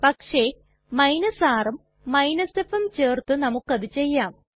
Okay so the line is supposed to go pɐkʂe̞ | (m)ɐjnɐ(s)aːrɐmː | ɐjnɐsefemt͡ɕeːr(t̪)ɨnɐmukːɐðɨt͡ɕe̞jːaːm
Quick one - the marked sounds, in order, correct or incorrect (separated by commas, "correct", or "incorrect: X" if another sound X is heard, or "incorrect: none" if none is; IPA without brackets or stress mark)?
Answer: correct, correct, correct